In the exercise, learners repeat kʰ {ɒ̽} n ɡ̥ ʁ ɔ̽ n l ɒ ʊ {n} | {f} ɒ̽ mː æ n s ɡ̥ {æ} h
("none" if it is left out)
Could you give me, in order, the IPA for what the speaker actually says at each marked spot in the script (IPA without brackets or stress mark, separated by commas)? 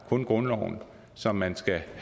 ɔ̽, n, s, æ